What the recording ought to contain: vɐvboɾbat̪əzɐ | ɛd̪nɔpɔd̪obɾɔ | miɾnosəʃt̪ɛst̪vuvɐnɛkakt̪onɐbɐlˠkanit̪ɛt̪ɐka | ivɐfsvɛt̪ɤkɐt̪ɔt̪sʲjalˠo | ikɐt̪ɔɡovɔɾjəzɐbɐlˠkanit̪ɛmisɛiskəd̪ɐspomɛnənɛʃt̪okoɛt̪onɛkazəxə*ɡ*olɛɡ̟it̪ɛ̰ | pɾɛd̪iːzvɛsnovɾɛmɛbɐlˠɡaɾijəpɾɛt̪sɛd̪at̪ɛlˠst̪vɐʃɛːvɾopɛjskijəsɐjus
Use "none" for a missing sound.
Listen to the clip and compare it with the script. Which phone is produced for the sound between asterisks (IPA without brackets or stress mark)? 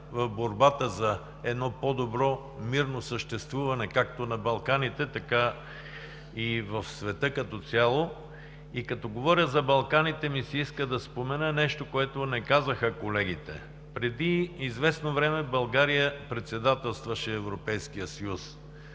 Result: k